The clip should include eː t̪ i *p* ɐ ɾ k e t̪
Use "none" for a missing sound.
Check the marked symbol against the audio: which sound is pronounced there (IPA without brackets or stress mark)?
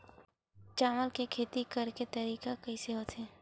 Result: k